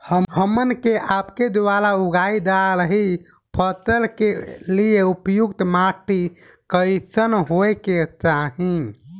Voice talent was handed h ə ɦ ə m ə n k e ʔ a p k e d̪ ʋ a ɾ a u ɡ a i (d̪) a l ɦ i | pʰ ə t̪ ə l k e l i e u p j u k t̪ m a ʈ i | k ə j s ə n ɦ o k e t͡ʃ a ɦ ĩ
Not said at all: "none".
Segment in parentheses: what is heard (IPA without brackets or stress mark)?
d̪